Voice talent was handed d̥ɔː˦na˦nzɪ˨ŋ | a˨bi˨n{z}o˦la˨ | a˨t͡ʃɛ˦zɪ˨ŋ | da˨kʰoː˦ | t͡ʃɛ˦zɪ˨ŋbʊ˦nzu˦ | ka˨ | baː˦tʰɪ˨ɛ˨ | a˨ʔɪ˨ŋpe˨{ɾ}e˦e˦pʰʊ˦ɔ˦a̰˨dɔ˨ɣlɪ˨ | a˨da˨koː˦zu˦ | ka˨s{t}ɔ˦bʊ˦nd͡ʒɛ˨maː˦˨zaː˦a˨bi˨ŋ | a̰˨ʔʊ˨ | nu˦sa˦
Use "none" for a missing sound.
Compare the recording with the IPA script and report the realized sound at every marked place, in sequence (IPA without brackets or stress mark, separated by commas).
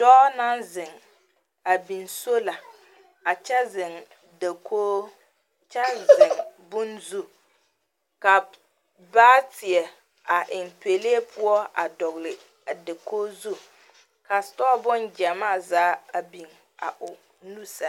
s, l, t